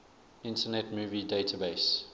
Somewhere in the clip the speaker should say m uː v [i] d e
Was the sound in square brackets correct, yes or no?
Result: yes